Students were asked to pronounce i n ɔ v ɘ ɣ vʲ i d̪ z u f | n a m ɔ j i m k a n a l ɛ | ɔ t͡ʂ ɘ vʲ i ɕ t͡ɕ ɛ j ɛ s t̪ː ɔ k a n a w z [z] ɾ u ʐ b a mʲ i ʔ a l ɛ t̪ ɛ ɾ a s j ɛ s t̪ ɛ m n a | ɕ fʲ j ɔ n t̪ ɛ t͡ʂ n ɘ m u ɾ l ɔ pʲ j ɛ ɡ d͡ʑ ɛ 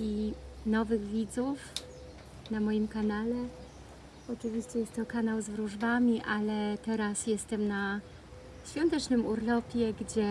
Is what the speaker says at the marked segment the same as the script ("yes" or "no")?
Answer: no